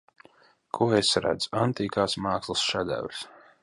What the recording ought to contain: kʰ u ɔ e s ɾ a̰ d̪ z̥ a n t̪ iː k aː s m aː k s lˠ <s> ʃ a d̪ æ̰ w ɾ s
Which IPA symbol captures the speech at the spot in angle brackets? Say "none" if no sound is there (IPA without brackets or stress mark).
s